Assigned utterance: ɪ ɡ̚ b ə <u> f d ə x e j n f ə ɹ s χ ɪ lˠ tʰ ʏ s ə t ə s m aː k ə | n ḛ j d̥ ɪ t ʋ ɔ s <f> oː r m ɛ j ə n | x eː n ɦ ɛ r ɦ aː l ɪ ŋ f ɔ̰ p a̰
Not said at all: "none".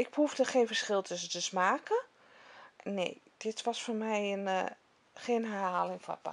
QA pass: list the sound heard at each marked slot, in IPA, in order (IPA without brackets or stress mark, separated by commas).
u, f